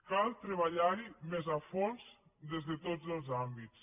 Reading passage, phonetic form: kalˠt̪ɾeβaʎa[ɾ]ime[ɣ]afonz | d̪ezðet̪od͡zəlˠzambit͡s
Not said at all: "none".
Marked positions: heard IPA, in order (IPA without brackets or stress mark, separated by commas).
ɾ, z